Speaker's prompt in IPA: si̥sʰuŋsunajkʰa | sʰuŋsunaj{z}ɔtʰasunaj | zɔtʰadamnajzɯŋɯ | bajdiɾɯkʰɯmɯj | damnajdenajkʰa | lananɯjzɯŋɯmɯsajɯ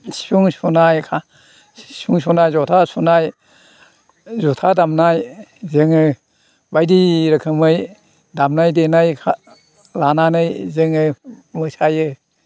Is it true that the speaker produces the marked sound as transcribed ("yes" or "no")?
yes